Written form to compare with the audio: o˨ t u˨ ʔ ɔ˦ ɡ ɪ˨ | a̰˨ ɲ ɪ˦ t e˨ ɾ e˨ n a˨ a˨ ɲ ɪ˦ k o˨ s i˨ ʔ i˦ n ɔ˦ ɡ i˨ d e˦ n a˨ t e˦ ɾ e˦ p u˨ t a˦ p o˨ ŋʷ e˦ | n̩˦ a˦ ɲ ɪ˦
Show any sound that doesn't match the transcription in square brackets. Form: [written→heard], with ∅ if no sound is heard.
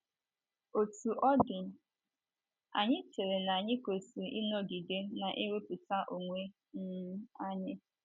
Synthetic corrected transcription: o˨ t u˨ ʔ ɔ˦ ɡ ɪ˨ | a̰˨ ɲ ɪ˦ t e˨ ɾ e˨ n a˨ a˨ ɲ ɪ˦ k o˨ s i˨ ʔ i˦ n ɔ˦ ɡ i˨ d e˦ n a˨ [t→ʔ] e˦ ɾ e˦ p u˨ t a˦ [p→ʔ] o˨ ŋʷ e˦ | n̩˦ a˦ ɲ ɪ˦

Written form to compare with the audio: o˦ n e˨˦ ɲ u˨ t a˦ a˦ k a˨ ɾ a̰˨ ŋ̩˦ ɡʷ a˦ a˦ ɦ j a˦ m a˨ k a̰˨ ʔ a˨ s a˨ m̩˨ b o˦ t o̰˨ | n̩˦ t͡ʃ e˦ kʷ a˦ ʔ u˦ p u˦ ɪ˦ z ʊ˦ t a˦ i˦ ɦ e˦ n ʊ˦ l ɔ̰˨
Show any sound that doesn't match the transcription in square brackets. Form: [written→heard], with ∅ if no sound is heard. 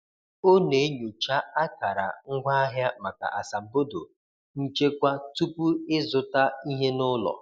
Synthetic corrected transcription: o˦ n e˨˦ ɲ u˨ [t→t͡ʃ] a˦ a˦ k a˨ ɾ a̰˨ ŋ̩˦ ɡʷ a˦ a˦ ɦ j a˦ m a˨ k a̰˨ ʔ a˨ s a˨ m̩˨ b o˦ [t→d] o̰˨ | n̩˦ t͡ʃ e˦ kʷ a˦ [ʔ→t] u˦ p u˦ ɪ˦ z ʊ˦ t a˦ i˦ ɦ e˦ n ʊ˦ l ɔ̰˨

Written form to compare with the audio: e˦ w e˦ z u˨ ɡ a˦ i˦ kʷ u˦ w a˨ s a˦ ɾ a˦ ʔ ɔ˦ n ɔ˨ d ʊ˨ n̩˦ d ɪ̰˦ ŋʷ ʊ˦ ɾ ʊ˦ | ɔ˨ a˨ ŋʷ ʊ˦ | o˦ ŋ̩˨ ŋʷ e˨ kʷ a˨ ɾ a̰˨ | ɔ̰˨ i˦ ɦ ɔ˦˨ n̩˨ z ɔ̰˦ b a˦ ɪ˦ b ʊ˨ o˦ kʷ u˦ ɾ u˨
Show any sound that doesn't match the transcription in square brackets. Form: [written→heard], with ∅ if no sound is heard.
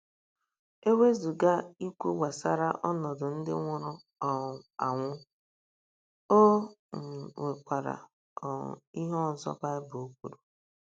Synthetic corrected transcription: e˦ w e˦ z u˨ ɡ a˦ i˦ kʷ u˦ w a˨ s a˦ ɾ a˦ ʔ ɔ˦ n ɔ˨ d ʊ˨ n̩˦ d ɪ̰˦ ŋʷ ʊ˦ ɾ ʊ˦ | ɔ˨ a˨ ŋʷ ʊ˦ | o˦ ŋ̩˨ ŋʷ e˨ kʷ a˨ ɾ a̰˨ | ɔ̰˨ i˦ ɦ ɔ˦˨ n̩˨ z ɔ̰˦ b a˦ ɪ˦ b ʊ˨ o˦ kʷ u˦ ɾ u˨

